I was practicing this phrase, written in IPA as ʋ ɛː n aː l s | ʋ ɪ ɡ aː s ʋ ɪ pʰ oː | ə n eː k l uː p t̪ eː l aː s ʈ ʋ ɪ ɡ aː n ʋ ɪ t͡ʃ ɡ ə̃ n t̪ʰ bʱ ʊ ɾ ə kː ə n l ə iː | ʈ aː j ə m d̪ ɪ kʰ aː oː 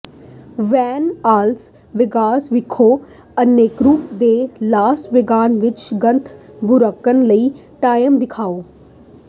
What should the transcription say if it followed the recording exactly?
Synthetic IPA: ʋ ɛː n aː l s | ʋ ɪ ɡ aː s ʋ ɪ kʰ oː | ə n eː k ɾ uː p d̪ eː l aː s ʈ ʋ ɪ ɡ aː n ʋ ɪ t͡ʃ ɡ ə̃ n t̪ʰ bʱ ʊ ɾ ə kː ə n l ə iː | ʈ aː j ə m d̪ ɪ kʰ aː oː

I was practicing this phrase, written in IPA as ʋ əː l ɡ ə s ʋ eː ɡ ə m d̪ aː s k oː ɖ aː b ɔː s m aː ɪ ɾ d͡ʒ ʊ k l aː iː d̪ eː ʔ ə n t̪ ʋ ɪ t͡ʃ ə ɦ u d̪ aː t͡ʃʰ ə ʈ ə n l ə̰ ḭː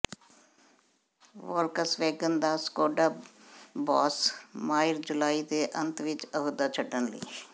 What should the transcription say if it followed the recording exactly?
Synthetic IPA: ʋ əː l k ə s ʋ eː ɡ ə n d̪ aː s k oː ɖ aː b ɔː s m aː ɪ ɾ d͡ʒ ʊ l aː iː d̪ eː ʔ ə n t̪ ʋ ɪ t͡ʃ ə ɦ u d̪ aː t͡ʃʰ ə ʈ ə n l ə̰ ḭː

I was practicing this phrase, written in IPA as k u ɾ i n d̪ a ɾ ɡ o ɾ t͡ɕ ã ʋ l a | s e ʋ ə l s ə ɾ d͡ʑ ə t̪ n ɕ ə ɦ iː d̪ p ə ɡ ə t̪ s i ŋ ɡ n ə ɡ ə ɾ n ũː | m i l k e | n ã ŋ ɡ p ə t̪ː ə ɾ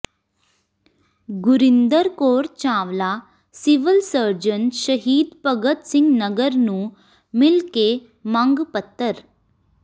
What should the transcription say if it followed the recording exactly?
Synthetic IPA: ɡ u ɾ i n d̪ ə ɾ k o ɾ t͡ɕ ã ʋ l a | s i ʋ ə l s ə ɾ d͡ʑ ə n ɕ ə ɦ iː d̪ p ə ɡ ə t̪ s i ŋ ɡ n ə ɡ ə ɾ n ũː | m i l k e | m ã ŋ ɡ p ə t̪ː ə ɾ

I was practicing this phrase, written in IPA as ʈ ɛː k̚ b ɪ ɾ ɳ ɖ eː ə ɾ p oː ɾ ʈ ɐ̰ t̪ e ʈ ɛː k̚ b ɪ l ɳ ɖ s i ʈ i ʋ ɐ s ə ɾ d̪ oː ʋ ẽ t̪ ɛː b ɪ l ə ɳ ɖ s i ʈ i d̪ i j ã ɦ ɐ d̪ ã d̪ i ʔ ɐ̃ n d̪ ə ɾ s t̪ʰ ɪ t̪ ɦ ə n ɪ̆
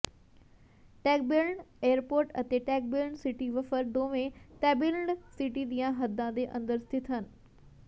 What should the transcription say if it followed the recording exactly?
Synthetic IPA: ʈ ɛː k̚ b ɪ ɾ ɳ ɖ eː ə ɾ p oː ɾ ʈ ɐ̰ t̪ e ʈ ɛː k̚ b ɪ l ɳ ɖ s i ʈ i ʋ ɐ f ə ɾ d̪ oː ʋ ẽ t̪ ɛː b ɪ l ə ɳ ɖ s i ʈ i d̪ i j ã ɦ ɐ d̪ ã d̪ e ʔ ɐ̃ n d̪ ə ɾ s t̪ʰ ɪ t̪ ɦ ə n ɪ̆

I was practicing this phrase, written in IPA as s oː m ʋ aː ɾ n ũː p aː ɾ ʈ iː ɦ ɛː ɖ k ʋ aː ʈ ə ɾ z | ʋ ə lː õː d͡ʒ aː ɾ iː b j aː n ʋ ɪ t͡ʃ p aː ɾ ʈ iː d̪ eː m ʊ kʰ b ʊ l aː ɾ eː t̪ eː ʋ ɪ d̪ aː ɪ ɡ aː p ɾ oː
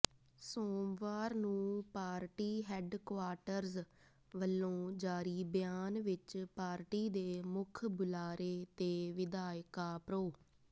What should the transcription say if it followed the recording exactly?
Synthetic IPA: s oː m ʋ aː ɾ n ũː p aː ɾ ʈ iː ɦ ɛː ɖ k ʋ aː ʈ ə ɾ z | ʋ ə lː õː d͡ʒ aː ɾ iː b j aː n ʋ ɪ t͡ʃ p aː ɾ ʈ iː d̪ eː m ʊ kʰ b ʊ l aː ɾ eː t̪ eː ʋ ɪ d̪ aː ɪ k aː p ɾ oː

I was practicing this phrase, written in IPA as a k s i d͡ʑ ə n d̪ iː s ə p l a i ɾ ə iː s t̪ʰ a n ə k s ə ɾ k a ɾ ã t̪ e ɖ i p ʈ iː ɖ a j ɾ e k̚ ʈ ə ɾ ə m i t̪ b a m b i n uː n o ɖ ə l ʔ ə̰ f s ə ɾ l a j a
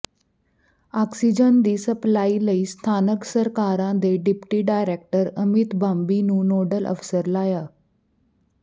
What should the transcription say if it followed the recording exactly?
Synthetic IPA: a k s i d͡ʑ ə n d̪ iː s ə p l a i l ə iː s t̪ʰ a n ə k s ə ɾ k a ɾ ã d̪ e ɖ i p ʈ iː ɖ a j ɾ e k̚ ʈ ə ɾ ə m i t̪ b a m b i n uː n o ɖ ə l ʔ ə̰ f s ə ɾ l a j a

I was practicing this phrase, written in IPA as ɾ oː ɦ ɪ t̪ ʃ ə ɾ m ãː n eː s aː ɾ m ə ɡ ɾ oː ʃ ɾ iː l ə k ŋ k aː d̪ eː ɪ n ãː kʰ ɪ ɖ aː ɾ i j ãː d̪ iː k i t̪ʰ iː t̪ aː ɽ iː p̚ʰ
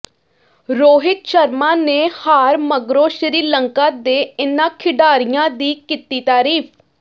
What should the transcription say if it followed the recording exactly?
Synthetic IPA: ɾ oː ɦ ɪ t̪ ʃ ə ɾ m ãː n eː h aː ɾ m ə ɡ ɾ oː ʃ ɾ iː l ə ŋ k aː d̪ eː ɪ n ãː kʰ ɪ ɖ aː ɾ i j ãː d̪ iː k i t̪ iː t̪ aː ɾ iː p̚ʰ

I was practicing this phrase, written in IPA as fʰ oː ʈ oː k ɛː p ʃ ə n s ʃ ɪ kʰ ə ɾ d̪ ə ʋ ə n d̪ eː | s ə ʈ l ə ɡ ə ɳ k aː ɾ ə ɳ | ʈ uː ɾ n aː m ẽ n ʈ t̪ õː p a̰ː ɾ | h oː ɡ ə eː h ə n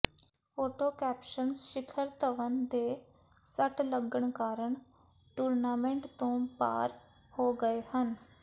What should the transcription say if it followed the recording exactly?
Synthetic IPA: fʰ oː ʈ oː k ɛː p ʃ ə n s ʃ ɪ kʰ ə ɾ t̪ ə ʋ ə n d̪ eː | s ə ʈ l ə ɡ ə ɳ k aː ɾ ə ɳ | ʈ uː ɾ n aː m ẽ ɳ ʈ t̪ õː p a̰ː ɾ | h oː ɡ ə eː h ə n

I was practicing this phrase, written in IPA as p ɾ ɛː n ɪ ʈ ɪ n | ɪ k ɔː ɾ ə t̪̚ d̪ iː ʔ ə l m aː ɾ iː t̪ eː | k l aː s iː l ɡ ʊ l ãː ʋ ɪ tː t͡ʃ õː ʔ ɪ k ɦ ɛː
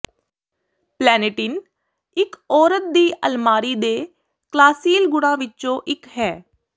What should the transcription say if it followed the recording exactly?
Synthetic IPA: p l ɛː n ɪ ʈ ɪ n | ɪ k ɔː ɾ ə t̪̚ d̪ iː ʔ ə l m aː ɾ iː d̪ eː | k l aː s iː l ɡ ʊ ɽ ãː ʋ ɪ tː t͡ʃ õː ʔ ɪ k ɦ ɛː

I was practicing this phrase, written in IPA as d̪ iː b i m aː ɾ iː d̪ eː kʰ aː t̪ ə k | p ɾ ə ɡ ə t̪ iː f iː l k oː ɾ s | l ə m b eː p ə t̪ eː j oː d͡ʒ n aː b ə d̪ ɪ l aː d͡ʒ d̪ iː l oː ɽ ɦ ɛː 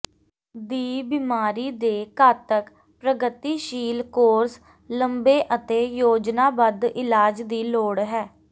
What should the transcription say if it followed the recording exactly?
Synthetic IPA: d̪ iː b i m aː ɾ iː d̪ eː k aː t̪ ə k | p ɾ ə ɡ ə t̪ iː ʃ iː l k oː ɾ s | l ə m b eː ʔ ə t̪ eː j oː d͡ʒ n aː b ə d̪ ɪ l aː d͡ʒ d̪ iː l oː ɽ ɦ ɛː

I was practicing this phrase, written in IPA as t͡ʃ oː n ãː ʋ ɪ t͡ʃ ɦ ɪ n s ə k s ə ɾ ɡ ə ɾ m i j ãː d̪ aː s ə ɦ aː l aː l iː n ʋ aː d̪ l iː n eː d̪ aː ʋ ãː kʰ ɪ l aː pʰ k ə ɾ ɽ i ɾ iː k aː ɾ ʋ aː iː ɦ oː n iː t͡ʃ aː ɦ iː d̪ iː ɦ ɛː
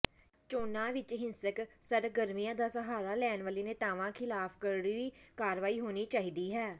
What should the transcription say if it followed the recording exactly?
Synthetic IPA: t͡ʃ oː n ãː ʋ ɪ t͡ʃ ɦ ɪ n s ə k s ə ɾ ɡ ə ɾ m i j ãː d̪ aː s ə ɦ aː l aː l ɛː n ʋ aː l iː n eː t̪ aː ʋ ãː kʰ ɪ l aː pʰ k ə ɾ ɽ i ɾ iː k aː ɾ ʋ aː iː ɦ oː n iː t͡ʃ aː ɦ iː d̪ iː ɦ ɛː

